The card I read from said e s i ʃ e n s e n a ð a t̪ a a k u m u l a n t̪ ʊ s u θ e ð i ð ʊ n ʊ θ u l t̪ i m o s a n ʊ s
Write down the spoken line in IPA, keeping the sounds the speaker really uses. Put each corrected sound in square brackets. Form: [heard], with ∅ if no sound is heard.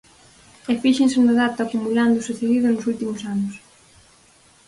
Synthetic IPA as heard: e [f] i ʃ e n s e n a ð a t̪ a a k u m u l a n [d̪] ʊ s u θ e ð i ð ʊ n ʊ [s] u l t̪ i m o s a n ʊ s